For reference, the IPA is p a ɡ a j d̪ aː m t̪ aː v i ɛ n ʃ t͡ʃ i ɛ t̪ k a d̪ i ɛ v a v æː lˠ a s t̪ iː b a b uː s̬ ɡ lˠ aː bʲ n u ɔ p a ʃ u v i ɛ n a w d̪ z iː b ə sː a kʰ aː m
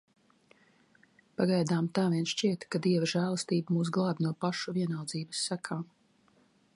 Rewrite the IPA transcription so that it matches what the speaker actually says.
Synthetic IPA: p a ɡ a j d̪ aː m t̪ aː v i ɛ n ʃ t͡ʃ i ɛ t̪ k a d̪ i ɛ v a ʒ æː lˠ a s t̪ iː b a m uː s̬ ɡ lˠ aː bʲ n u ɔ p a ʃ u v i ɛ n a w d̪ z iː b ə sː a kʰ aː m